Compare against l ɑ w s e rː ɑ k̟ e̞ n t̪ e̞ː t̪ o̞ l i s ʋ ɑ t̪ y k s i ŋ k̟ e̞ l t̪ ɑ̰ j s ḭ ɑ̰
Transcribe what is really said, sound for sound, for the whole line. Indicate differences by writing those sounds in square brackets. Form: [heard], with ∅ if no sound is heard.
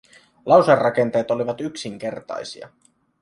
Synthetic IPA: l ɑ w s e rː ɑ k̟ e̞ n t̪ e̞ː t̪ o̞ l i [∅] ʋ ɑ t̪ y k s i ŋ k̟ e̞ [r] t̪ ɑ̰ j s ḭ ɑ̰

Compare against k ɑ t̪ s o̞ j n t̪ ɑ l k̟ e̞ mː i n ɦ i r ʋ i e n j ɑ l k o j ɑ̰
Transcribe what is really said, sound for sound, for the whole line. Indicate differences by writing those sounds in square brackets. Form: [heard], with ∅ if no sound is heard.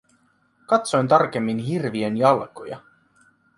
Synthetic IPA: k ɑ t̪ s o̞ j n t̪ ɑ [r] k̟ e̞ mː i n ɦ i r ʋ i e n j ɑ l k o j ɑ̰

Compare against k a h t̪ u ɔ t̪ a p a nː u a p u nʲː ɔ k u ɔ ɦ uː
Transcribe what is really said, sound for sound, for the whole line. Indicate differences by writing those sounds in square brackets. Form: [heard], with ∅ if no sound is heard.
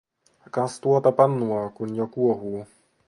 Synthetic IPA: k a [s] t̪ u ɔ t̪ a p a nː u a [k] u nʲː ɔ k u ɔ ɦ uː

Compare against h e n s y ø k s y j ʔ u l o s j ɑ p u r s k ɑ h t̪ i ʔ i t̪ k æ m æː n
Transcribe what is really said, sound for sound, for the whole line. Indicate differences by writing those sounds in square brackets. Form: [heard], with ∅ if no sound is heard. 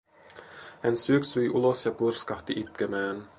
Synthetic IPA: h [æ] n s y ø k s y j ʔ u l o s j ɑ p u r s k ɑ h t̪ i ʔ i t̪ k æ m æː n

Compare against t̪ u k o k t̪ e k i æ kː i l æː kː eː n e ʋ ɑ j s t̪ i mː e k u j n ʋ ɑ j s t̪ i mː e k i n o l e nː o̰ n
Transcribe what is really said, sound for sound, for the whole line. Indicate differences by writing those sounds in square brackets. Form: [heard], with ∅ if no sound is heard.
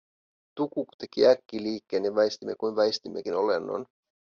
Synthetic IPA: t̪ u k [u] k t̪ e k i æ kː i l [iː] kː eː n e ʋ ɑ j s t̪ i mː e k u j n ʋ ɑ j s t̪ i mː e k i n o l e nː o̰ n

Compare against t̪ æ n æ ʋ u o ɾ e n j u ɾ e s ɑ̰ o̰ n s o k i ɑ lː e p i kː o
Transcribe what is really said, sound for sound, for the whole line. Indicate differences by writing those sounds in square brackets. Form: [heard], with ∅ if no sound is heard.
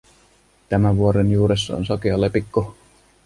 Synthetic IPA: t̪ æ [m] æ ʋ u o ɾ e n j [uː] ɾ e [sː] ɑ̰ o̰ n s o k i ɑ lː e p i kː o

